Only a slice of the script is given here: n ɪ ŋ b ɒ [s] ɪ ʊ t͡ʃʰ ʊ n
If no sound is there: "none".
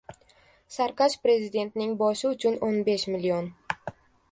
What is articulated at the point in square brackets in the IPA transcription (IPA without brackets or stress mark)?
ʃ